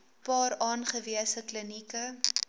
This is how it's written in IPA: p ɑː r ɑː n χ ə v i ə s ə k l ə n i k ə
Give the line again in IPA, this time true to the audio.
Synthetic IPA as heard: p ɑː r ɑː n χ ə v i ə s ə k l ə n i k ə